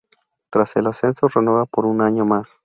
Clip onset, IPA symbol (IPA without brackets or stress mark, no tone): t̪